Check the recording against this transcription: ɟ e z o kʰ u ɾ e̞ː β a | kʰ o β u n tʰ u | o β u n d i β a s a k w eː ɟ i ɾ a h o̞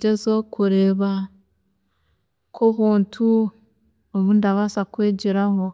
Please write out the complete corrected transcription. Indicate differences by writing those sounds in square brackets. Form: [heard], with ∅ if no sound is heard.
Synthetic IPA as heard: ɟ e z o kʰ u ɾ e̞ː β a | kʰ o β [uː] n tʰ u | o β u n d [a] β a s a k w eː ɟ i ɾ a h o̞